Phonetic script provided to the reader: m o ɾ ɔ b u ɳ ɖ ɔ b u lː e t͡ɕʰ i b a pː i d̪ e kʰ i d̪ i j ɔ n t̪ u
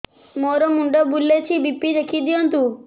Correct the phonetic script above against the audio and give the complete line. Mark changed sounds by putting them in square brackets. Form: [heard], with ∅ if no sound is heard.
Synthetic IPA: m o ɾ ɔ [m] u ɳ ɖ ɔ b u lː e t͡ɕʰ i b [i] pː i d̪ e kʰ i d̪ i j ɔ n t̪ u